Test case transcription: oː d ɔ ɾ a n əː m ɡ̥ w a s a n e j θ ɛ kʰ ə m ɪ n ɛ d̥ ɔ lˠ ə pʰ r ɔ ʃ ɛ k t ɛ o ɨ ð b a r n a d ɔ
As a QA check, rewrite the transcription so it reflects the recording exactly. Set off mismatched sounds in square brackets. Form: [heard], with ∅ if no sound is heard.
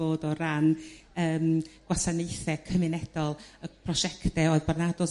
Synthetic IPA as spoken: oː d ɔ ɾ a n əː m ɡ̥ w a s a n e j θ ɛ kʰ ə m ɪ n ɛ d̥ ɔ lˠ ə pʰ r ɔ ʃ ɛ k t ɛ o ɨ ð b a r n a d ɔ